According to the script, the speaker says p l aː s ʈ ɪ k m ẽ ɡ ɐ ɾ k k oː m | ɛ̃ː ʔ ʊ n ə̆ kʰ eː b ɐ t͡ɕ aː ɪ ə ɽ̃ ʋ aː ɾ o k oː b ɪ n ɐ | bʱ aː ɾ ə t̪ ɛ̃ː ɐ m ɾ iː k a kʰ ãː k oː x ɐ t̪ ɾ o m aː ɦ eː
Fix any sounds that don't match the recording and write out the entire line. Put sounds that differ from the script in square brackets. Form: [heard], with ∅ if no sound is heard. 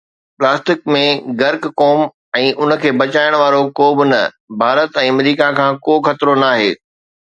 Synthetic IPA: p l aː s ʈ ɪ k m ẽ ɡ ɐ ɾ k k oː m | ɛ̃ː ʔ ʊ n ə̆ kʰ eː b ɐ t͡ɕ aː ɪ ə ɽ̃ ʋ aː ɾ o k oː b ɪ n ɐ | bʱ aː ɾ ə t̪ ɛ̃ː ɐ m ɾ iː k a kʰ ãː k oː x ɐ t̪ ɾ o [n] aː ɦ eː

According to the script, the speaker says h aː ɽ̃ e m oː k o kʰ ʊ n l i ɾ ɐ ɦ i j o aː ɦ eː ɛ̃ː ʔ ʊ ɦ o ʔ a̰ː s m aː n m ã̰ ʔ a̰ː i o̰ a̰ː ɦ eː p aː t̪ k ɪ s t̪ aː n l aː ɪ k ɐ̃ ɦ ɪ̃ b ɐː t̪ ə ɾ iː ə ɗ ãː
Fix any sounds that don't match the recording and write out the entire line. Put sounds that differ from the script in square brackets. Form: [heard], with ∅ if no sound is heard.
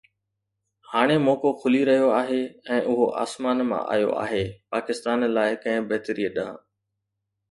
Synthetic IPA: h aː ɽ̃ e m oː k o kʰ ʊ [∅] l i ɾ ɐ ɦ i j o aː ɦ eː ɛ̃ː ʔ ʊ ɦ o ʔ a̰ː s m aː n m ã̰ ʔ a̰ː [j] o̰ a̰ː ɦ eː p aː [∅] k ɪ s t̪ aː n l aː ɪ k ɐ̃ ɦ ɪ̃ b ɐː t̪ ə ɾ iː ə ɗ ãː

